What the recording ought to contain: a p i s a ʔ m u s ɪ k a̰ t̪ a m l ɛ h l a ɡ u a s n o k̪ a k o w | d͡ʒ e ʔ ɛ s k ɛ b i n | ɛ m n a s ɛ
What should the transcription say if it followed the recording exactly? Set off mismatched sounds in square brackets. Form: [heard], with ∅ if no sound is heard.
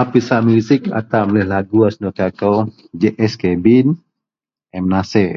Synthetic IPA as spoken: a p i s a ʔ m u s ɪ k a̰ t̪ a m l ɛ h l a ɡ u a s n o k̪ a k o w | d͡ʒ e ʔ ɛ s k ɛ b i n | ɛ m n a s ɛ